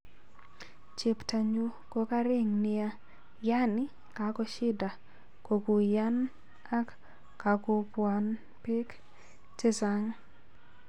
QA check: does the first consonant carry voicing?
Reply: no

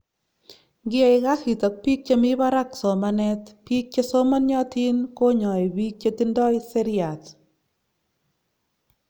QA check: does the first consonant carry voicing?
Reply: yes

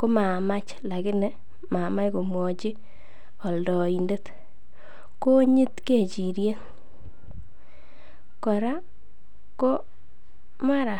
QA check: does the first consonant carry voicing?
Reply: no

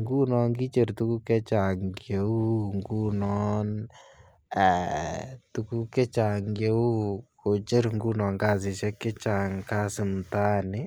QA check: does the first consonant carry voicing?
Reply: yes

